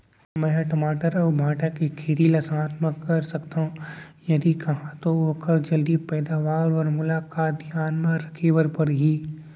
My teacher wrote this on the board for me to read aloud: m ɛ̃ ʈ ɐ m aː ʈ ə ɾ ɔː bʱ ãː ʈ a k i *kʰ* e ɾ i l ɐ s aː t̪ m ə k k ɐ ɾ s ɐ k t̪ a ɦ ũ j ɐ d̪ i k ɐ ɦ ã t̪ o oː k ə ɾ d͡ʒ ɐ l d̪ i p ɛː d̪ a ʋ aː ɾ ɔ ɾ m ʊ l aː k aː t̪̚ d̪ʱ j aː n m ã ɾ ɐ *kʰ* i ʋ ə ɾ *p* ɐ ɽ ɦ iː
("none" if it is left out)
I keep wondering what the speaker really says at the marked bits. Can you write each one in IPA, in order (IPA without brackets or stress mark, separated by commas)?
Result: kʰ, kʰ, p